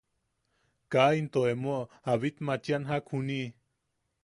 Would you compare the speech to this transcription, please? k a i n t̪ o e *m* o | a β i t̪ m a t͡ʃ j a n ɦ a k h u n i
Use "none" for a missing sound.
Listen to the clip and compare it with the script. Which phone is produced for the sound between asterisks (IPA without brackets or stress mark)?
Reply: m